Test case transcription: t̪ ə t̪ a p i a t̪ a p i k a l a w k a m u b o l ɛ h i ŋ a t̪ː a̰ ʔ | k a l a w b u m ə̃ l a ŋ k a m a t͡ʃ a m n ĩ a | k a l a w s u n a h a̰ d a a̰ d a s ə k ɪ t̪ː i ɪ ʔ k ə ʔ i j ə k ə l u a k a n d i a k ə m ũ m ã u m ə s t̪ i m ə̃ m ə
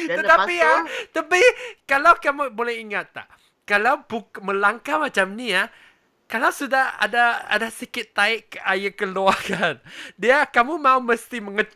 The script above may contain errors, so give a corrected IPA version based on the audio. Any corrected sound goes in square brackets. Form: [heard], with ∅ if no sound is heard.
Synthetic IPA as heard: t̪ ə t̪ a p i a t̪ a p i k a l a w k a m u b o l ɛ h i ŋ a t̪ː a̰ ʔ | k a l a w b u m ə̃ l a ŋ k a m a t͡ʃ a m n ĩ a | k a l a w s u [d] a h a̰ d a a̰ d a s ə k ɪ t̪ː [a] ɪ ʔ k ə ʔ [a] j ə k ə l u a k a n d i a k [a] m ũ m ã u m ə s t̪ i m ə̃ [ŋ] ə